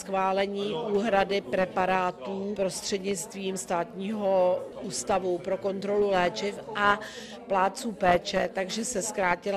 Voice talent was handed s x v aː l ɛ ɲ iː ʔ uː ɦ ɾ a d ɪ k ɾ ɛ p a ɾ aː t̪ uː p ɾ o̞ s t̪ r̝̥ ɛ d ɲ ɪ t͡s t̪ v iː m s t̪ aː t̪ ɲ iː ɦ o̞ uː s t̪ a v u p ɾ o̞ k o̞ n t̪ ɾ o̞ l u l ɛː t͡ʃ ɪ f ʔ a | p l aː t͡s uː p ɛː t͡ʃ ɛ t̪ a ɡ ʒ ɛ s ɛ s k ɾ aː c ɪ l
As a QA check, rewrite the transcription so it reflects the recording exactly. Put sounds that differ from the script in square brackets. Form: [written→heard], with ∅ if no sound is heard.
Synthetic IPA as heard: s x v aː l ɛ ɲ iː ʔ uː ɦ ɾ a d ɪ [k→p] ɾ ɛ p a ɾ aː t̪ uː p ɾ o̞ s t̪ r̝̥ ɛ d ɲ ɪ t͡s t̪ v iː m s t̪ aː t̪ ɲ iː ɦ o̞ uː s t̪ a v u p ɾ o̞ k o̞ n t̪ ɾ o̞ l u l ɛː t͡ʃ ɪ f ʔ a | p l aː t͡s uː p ɛː t͡ʃ ɛ t̪ a ɡ ʒ ɛ s ɛ s k ɾ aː c ɪ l